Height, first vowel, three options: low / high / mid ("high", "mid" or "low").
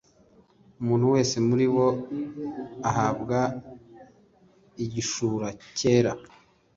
high